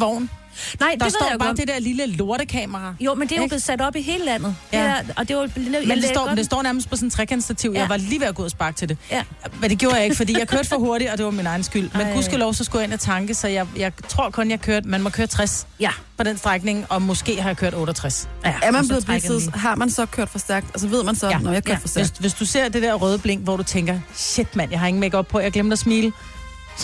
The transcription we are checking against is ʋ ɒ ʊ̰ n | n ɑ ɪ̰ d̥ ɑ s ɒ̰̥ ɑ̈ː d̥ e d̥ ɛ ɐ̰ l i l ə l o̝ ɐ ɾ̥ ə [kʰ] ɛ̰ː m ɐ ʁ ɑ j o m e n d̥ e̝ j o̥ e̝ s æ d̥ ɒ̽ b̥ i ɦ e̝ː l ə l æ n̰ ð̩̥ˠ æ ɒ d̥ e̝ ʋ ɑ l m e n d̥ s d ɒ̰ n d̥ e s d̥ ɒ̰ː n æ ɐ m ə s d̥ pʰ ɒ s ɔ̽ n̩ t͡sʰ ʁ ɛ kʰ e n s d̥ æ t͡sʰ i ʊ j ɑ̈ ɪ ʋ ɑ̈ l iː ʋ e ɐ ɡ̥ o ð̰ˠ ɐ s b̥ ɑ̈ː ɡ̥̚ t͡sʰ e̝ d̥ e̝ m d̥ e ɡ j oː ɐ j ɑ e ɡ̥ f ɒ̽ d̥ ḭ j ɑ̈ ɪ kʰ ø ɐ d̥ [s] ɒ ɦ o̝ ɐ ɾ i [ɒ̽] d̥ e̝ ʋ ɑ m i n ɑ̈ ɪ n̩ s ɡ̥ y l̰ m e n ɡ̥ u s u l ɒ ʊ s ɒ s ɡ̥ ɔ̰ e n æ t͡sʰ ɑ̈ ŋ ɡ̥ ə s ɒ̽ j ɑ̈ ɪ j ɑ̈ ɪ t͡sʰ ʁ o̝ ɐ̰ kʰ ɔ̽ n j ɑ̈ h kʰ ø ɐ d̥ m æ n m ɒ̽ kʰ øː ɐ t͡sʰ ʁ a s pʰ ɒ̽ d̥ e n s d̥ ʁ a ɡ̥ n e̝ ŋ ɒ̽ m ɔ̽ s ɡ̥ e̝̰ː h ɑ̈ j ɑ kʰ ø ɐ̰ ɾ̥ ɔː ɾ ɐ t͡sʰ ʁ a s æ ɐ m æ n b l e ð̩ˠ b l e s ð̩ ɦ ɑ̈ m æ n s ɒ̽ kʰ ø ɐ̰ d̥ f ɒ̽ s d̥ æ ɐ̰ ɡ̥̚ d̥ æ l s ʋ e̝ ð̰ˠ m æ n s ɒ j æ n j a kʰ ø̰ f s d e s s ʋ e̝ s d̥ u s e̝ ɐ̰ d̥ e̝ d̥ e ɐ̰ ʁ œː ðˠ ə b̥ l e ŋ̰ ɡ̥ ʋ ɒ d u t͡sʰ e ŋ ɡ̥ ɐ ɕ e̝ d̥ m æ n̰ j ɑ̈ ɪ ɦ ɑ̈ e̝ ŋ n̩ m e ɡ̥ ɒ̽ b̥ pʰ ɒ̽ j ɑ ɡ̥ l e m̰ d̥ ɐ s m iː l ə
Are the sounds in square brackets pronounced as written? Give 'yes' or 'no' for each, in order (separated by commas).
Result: yes, no, yes